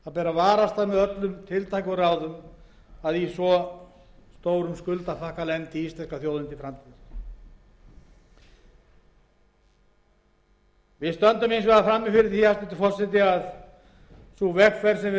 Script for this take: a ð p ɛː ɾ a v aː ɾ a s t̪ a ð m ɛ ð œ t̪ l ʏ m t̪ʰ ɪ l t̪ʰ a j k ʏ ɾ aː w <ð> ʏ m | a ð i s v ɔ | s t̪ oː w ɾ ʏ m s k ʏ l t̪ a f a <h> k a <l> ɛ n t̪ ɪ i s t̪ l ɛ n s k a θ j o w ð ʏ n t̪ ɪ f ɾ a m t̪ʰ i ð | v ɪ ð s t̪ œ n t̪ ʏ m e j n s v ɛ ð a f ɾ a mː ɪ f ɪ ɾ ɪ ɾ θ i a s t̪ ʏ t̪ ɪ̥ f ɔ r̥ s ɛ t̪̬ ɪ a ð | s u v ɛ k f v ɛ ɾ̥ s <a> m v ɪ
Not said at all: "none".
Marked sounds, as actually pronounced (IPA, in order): ð, h, l, ɛ

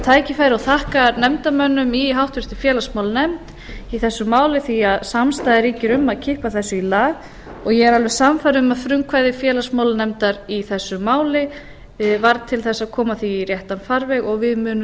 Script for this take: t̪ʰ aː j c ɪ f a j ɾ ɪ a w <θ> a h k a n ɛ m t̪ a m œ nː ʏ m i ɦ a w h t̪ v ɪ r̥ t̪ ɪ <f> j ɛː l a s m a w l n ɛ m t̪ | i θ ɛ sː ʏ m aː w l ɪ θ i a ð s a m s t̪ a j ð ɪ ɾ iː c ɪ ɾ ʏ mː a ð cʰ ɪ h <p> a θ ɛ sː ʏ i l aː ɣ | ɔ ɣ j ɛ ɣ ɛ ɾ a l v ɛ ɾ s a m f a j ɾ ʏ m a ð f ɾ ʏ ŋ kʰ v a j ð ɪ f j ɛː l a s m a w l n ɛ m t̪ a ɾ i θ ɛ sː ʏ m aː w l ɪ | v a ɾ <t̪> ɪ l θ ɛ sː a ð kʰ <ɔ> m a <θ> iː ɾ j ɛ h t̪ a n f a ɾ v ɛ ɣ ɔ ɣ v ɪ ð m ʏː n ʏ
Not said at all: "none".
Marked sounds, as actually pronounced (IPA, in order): θ, f, p, t̪ʰ, ɔː, θ

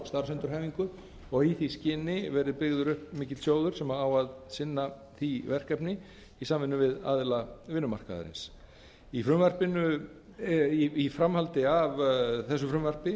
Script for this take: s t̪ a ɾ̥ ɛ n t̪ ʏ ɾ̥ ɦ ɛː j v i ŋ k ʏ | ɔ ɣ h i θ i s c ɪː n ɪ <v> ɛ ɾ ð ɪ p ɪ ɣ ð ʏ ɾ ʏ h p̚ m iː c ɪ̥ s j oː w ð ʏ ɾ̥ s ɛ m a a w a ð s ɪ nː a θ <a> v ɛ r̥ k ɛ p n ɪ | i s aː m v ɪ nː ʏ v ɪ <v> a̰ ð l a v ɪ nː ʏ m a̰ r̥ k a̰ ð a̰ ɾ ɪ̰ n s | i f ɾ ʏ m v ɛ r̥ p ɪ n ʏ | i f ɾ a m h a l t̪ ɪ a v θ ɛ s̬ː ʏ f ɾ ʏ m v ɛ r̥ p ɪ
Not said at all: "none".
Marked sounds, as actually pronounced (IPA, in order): v, i, ð

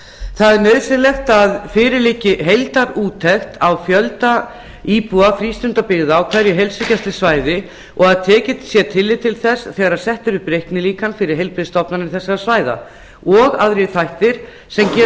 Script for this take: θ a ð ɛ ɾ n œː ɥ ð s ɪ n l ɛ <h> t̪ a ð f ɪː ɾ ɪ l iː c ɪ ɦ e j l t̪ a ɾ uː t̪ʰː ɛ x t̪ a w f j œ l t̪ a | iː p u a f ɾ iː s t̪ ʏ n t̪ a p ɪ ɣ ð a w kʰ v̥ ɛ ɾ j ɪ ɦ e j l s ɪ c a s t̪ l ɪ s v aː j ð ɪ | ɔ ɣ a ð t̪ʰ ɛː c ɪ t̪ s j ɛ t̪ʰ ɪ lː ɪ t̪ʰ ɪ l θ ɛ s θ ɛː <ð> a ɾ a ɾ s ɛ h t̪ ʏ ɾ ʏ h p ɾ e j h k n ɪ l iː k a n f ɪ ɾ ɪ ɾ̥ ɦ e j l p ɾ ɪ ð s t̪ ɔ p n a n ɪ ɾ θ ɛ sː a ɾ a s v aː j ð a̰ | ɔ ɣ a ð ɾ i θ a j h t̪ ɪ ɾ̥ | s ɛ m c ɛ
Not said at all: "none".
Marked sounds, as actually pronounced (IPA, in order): x, ɣ

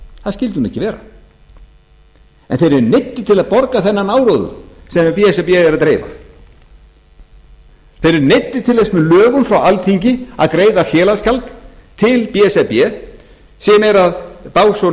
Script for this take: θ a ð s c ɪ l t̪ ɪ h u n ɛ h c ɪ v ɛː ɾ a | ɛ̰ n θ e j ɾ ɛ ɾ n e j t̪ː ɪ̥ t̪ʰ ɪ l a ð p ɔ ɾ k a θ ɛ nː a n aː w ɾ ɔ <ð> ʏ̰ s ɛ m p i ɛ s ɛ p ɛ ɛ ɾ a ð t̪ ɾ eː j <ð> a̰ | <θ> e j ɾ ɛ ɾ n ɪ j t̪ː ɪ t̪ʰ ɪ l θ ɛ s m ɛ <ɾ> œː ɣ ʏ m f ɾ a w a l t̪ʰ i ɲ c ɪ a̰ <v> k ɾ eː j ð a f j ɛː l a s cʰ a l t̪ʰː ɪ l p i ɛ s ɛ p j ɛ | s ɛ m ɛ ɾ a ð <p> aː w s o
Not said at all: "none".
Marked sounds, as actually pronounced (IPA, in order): ð, v, θ, l, ð, p

